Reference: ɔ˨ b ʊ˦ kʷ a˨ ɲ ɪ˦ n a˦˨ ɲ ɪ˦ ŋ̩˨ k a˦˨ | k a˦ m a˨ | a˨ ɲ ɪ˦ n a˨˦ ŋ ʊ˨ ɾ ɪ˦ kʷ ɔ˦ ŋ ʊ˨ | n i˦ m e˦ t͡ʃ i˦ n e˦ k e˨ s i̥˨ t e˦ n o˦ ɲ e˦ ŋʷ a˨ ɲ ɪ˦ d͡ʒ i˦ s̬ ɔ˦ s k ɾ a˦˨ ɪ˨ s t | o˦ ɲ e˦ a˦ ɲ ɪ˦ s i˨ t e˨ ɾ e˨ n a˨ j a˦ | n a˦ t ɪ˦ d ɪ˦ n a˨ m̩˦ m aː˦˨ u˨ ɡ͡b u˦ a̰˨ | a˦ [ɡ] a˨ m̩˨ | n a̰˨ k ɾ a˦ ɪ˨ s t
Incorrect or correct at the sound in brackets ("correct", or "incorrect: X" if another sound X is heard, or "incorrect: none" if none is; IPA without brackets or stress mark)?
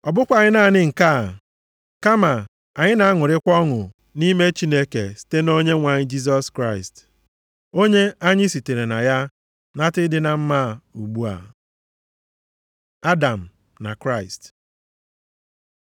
incorrect: d